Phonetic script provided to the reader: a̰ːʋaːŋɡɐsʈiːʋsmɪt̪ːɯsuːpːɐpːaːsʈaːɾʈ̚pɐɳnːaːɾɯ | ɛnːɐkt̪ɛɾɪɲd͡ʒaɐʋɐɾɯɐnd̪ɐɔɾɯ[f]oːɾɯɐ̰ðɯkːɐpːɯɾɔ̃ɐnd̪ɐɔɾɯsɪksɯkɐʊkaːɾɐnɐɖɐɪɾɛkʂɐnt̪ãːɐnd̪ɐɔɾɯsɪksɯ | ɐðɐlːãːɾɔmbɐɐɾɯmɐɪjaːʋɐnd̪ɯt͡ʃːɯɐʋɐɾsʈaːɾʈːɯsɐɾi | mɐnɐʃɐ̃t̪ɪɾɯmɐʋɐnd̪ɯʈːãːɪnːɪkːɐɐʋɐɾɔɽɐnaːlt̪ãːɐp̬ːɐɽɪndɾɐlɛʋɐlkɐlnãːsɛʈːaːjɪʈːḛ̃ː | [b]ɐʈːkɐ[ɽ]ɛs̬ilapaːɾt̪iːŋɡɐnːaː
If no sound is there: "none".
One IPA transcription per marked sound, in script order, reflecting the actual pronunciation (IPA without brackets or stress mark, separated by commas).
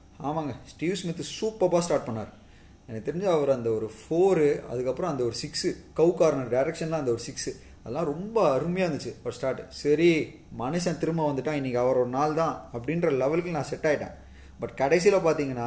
f, b, ɽ